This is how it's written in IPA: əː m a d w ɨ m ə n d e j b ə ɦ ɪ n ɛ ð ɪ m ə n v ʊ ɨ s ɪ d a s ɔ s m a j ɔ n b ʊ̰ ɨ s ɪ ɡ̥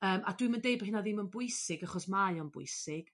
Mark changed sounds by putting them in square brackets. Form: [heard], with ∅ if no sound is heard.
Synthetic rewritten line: əː m a d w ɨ m ə n d e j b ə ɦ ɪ n [a] ð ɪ m ə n [b] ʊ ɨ s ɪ [ɡ] a [χ] ɔ s m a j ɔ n b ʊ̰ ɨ s ɪ ɡ̥

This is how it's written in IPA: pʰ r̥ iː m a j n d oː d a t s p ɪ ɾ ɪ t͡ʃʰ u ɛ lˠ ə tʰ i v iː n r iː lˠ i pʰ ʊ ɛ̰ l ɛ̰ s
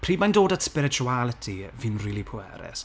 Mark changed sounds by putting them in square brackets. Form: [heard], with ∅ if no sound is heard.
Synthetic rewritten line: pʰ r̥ iː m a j n d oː d a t s p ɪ ɾ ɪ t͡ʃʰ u [a] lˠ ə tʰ i v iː n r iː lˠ i pʰ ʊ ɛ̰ [ɾ] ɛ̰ s

